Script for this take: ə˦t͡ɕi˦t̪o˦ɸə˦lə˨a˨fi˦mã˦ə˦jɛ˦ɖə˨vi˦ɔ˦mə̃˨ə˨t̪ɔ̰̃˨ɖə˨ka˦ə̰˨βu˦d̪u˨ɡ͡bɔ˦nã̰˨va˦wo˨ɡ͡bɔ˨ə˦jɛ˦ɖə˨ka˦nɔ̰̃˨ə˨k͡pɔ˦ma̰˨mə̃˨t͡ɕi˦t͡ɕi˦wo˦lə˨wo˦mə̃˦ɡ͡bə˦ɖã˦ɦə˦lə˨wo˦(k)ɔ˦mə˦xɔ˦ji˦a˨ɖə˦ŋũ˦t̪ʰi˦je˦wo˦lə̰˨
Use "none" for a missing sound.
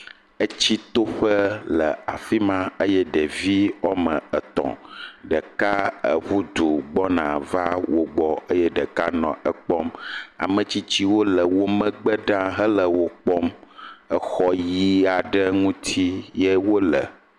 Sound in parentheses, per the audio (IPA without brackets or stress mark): k͡p